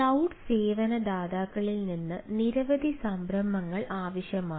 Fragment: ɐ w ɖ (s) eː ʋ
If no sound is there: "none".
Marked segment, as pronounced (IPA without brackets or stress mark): s